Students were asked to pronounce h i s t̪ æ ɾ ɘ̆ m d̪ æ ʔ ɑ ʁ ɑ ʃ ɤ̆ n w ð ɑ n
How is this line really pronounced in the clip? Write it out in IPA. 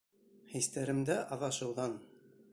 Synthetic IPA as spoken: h i s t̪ æ ɾ ɘ̆ m d̪ æ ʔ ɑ ð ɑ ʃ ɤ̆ w ð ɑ n